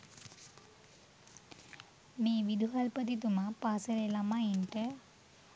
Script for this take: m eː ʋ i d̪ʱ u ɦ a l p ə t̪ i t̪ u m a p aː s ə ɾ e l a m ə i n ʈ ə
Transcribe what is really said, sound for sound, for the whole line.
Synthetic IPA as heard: m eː ʋ i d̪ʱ u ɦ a l p ə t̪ i t̪ u m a p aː s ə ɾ e l a m a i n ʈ ə